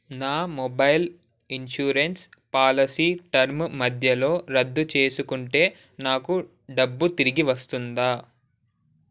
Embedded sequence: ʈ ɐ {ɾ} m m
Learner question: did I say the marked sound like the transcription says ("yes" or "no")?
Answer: yes